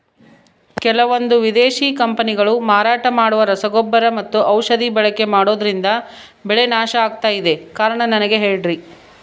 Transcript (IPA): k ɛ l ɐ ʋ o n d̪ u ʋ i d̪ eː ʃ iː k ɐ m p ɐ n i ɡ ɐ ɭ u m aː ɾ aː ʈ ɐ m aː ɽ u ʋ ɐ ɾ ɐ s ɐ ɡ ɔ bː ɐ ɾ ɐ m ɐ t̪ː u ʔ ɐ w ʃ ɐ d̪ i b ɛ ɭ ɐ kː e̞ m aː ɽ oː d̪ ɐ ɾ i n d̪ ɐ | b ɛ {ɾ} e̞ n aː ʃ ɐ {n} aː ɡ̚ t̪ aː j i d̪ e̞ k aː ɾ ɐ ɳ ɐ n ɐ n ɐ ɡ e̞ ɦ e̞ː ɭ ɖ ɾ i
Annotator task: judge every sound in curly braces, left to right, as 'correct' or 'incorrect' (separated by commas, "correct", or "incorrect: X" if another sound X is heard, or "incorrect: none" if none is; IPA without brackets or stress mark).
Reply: incorrect: ɭ, incorrect: none